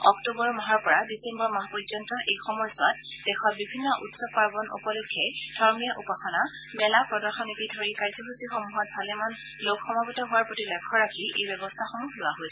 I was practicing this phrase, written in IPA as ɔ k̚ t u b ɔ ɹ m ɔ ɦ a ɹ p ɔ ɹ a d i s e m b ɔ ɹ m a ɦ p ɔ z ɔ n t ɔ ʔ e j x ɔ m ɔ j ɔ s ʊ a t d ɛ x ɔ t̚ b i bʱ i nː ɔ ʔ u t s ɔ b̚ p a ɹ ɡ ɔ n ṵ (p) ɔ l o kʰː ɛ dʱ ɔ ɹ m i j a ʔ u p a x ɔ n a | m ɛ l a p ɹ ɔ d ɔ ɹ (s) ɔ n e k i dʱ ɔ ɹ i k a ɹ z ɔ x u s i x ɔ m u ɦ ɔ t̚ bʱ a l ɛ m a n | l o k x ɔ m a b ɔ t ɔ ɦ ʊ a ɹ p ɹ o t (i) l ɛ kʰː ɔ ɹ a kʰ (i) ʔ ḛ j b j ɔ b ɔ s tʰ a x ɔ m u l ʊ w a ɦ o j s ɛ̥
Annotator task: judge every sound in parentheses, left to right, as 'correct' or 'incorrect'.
correct, incorrect: x, correct, correct

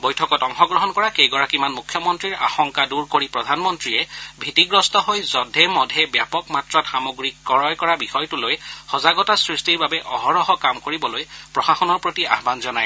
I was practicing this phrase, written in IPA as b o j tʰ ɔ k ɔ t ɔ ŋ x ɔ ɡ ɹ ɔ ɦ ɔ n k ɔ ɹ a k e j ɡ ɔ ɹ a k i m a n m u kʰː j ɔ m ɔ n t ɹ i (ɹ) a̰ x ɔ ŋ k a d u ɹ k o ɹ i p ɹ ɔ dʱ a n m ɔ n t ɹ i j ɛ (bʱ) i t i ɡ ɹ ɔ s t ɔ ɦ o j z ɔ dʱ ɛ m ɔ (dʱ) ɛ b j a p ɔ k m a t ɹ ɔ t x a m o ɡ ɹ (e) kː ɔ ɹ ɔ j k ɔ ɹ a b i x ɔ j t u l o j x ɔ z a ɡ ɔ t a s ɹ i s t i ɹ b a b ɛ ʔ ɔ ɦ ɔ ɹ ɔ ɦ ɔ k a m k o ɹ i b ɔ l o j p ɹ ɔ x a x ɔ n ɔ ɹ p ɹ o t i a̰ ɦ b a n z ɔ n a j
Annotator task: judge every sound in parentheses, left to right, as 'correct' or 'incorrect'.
correct, correct, correct, incorrect: i

